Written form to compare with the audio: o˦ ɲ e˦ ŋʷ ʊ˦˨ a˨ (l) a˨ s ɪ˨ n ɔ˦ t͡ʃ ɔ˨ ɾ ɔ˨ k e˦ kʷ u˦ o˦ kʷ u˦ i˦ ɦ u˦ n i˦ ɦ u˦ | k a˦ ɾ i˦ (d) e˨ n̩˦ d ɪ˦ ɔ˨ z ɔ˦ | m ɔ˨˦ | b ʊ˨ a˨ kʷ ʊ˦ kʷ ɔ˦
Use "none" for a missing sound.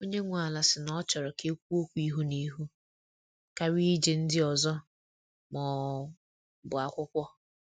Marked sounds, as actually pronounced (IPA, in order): l, d͡ʒ

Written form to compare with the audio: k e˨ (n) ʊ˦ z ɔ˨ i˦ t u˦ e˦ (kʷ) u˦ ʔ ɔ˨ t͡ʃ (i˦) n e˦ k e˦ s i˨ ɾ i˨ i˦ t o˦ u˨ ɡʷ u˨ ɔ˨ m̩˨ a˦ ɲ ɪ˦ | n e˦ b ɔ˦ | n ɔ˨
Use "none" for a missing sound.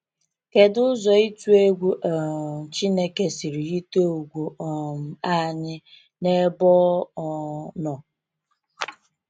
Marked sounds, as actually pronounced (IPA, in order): d, ɡʷ, i˦

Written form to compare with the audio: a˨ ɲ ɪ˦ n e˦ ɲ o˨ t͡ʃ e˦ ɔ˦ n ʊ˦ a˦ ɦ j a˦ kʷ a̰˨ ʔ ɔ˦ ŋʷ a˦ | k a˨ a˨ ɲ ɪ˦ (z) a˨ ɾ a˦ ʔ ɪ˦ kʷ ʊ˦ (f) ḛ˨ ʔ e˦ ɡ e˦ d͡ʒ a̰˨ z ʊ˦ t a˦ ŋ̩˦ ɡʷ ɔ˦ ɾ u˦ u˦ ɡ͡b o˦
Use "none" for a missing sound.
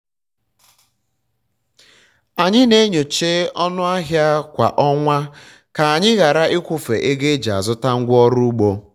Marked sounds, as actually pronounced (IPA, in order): ɣ, f

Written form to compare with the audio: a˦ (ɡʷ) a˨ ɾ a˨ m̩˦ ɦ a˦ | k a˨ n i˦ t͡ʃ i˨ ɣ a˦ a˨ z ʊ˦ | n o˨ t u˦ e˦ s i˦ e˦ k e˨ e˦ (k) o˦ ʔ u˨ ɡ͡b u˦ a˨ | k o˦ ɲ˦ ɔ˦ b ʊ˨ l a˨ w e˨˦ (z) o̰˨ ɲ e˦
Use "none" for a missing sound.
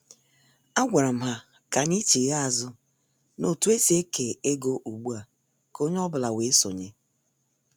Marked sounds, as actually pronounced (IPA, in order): ɡʷ, ɡ, s

